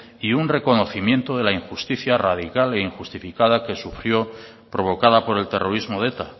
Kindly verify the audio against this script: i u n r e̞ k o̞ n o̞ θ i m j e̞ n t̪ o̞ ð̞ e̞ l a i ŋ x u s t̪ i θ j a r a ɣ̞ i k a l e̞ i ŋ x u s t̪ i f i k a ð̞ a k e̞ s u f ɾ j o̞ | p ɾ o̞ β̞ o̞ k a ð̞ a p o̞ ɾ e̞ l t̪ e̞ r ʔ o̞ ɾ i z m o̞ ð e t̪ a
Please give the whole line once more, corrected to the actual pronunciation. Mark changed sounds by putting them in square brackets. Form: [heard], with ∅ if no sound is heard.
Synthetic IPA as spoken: i u n r e̞ k o̞ n o̞ θ i m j e̞ n t̪ o̞ ð̞ e̞ l a i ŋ x u s t̪ i θ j a r a [ð̞] i k a l e̞ i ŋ x u s t̪ i f i k a ð̞ a k e̞ s u f ɾ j o̞ | p ɾ o̞ β̞ o̞ k a ð̞ a p o̞ ɾ e̞ l t̪ e̞ r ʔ o̞ ɾ i z m o̞ ð e t̪ a

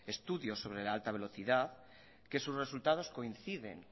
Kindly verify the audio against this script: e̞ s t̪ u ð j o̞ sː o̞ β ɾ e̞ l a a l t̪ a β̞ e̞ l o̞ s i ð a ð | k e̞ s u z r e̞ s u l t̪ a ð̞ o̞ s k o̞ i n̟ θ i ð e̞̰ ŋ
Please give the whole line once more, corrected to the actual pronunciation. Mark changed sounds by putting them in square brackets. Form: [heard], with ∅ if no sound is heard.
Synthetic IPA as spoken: e̞ s t̪ u ð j o̞ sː o̞ β ɾ e̞ l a a l t̪ a β̞ e̞ l o̞ [θ] i ð a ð | k e̞ s u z r e̞ s u l t̪ a ð̞ o̞ s k o̞ i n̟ θ i ð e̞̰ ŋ

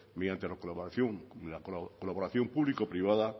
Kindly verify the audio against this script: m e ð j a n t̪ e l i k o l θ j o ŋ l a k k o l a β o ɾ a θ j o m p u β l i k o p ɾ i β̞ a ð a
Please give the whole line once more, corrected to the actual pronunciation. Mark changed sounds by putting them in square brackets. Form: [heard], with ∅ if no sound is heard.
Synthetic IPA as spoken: m e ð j a n t̪ e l [a] k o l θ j o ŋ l a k k o l a β o ɾ a θ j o m p u β l i k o p ɾ i β̞ a ð a

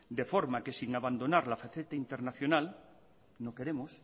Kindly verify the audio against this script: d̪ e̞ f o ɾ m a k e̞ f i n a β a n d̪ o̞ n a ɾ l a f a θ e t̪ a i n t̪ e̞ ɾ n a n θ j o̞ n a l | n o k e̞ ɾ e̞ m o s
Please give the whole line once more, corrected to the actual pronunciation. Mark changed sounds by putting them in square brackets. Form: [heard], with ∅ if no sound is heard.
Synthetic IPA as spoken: d̪ e̞ f o ɾ m a k e̞ [s] i [ŋ] a β a n d̪ o̞ n a ɾ l a f a θ e t̪ a i n t̪ e̞ ɾ n a [∅] θ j o̞ n a l | n o k e̞ ɾ e̞ m o s

